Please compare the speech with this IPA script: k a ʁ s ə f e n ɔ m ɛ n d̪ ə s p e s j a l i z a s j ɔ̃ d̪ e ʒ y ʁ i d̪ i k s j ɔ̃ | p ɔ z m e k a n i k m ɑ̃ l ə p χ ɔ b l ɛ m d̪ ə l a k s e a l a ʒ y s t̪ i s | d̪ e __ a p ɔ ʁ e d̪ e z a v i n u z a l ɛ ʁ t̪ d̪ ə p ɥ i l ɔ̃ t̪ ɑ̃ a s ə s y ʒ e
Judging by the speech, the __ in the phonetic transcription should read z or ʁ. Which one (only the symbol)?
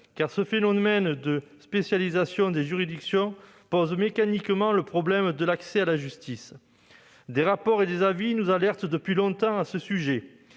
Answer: ʁ